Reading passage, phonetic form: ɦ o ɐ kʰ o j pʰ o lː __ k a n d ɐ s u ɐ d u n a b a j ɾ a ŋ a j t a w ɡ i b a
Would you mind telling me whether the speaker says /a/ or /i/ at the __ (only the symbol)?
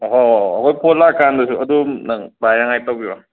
a